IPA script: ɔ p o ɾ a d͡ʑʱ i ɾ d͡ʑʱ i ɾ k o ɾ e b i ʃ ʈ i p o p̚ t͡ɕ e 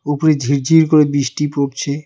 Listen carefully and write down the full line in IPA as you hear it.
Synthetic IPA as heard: u p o ɾ e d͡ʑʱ i ɾ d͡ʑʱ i ɾ k o ɾ e b i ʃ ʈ i p o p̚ t͡ɕʰ e